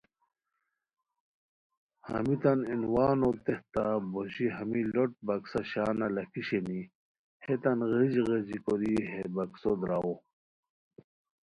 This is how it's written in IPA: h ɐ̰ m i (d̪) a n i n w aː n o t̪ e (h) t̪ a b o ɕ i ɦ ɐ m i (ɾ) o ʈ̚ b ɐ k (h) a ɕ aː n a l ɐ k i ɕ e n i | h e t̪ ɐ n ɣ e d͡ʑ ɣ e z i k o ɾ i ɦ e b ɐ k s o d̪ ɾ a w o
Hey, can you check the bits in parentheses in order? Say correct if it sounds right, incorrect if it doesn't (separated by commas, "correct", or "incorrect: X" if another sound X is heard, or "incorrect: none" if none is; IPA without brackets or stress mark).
incorrect: t̪, correct, incorrect: l, incorrect: s